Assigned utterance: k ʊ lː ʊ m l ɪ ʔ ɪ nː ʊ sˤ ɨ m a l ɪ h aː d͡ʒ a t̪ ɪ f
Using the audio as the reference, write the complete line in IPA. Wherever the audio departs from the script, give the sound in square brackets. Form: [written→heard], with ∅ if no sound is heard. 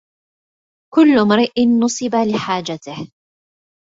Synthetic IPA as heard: k ʊ lː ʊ m [l→ɾ] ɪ ʔ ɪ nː ʊ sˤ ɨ [m→b] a l ɪ [h→ħ] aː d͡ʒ a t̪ ɪ [f→h]